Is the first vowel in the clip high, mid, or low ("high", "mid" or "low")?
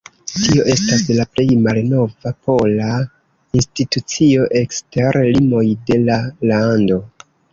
high